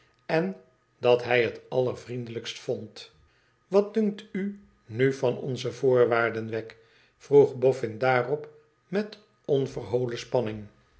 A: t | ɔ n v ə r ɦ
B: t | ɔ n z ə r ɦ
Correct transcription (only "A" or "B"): A